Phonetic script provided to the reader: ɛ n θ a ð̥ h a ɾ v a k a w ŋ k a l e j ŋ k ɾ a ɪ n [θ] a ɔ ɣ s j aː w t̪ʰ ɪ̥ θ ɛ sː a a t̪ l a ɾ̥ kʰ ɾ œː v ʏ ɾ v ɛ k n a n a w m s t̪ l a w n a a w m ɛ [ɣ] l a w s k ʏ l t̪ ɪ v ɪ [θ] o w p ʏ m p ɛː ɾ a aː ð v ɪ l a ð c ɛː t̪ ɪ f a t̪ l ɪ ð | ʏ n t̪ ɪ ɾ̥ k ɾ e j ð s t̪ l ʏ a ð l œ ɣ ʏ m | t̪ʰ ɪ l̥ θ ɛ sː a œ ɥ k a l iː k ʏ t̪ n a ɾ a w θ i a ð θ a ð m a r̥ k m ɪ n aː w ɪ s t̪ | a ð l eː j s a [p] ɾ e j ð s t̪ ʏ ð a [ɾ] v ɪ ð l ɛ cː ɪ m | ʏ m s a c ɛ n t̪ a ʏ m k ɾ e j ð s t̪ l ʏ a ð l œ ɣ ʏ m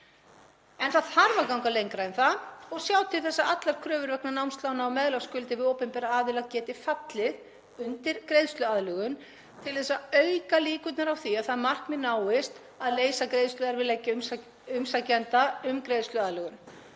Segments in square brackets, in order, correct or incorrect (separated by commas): correct, incorrect, incorrect, incorrect, correct